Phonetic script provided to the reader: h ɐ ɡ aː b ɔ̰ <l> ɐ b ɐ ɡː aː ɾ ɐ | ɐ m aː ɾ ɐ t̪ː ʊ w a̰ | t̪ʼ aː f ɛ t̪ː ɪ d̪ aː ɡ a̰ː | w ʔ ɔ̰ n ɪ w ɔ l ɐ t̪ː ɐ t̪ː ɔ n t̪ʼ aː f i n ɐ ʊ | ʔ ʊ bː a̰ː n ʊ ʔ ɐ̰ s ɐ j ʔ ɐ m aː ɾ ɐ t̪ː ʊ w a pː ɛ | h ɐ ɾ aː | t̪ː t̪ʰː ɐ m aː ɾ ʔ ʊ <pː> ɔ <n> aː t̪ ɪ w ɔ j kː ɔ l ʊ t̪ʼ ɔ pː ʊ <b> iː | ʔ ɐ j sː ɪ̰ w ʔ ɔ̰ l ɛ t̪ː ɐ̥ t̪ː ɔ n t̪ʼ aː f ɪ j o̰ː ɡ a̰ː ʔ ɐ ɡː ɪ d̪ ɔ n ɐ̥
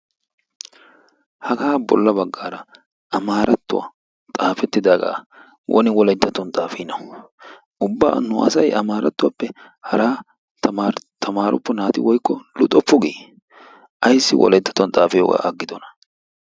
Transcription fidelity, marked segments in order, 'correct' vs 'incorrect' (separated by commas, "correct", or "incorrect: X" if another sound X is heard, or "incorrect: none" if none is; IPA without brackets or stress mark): incorrect: lː, correct, correct, incorrect: ɡ